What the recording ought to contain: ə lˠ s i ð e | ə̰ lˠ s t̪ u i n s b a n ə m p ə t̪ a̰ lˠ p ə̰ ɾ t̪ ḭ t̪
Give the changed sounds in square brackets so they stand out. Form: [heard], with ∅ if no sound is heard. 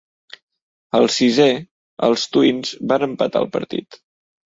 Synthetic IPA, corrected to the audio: ə lˠ s i [z] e | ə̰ lˠ s t̪ u i n [z] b a n ə m p ə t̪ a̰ lˠ p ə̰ ɾ t̪ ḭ t̪